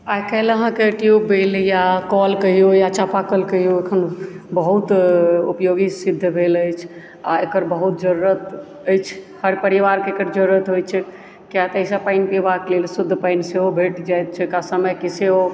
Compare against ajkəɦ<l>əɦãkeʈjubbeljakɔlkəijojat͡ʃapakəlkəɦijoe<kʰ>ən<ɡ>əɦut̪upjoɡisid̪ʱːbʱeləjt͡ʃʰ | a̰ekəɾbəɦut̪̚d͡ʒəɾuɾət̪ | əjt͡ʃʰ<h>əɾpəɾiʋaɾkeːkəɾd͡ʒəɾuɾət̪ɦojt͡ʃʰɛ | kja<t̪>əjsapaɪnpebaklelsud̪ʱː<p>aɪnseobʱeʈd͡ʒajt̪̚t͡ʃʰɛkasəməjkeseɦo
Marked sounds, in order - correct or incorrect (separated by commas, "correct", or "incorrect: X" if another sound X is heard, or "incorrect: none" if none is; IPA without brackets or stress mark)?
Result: correct, correct, incorrect: b, correct, correct, correct